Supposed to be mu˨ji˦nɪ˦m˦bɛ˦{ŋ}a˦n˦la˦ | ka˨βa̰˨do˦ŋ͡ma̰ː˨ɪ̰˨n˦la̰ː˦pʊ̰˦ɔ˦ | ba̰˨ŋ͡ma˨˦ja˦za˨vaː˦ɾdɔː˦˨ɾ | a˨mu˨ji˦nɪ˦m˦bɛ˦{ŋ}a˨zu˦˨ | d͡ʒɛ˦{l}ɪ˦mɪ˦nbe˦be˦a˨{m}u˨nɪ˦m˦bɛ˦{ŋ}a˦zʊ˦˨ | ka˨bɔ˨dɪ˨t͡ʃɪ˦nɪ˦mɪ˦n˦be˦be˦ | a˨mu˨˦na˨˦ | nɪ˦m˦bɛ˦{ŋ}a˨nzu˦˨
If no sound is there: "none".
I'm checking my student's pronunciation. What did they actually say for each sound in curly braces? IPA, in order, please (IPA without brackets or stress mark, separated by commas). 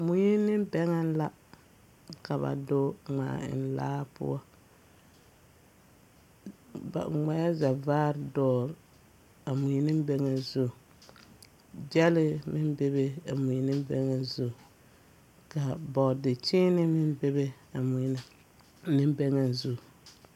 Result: ŋ, ŋ, l, m, ŋ, ŋ